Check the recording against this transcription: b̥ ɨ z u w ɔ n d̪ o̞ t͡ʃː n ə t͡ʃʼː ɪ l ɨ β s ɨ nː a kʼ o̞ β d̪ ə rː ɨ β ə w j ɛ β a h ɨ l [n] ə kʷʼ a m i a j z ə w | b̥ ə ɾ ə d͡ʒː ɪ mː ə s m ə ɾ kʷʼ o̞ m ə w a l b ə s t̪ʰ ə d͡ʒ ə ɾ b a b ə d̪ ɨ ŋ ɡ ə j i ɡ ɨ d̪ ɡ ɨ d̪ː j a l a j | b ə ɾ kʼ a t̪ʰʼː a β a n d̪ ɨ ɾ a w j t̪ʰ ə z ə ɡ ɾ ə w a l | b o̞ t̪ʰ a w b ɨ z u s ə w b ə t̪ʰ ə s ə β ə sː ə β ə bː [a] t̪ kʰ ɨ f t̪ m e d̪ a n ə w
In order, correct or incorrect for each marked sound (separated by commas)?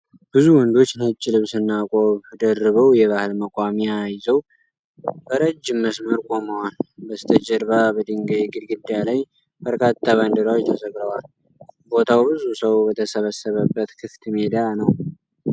incorrect, incorrect